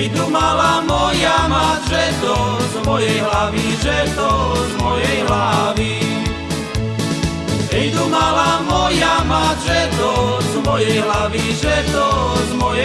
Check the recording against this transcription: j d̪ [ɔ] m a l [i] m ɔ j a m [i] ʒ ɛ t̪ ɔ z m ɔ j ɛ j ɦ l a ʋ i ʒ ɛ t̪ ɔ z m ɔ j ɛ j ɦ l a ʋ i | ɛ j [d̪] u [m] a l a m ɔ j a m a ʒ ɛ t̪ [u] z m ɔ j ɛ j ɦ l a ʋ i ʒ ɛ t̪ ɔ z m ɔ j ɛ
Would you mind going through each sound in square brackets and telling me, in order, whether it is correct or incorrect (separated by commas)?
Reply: incorrect, incorrect, incorrect, correct, correct, incorrect